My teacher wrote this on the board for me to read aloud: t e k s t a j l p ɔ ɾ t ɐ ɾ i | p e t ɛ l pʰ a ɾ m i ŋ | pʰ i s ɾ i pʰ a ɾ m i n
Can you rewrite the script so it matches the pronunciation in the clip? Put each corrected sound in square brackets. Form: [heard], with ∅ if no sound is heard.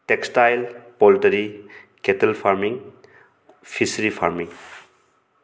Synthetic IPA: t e k s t a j l p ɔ [l] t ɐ ɾ i | [k] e t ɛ l pʰ a ɾ m i ŋ | pʰ i s ɾ i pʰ a ɾ m i [ŋ]